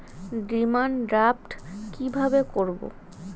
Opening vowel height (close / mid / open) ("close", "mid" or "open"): close